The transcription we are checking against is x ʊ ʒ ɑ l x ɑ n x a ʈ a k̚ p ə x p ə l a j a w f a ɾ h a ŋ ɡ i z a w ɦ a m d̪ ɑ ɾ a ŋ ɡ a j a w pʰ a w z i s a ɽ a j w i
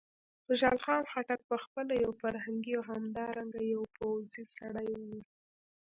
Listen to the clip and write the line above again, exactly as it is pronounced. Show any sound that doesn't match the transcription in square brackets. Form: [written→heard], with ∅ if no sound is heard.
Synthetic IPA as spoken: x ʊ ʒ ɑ l x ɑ n x a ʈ a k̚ p ə x p ə l a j a w f a ɾ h a ŋ ɡ i [z→∅] a w ɦ a m d̪ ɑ ɾ a ŋ ɡ a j a w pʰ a w z i s a ɽ a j w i